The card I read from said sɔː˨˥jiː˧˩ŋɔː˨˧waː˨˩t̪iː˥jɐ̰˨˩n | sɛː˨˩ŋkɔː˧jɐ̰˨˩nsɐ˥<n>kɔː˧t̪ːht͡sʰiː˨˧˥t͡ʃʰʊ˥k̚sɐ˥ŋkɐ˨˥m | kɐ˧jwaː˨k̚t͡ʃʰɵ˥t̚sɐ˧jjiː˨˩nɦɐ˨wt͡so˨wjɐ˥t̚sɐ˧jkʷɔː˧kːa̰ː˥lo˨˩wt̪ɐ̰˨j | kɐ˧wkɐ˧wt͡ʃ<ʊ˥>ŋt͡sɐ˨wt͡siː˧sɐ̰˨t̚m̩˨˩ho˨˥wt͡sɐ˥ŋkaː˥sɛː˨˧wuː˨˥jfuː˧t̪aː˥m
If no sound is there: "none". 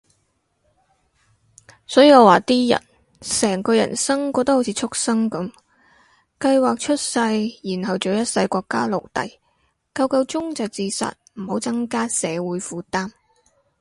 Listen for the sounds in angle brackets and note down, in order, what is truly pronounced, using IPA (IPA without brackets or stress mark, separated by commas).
ŋ, ʊ˥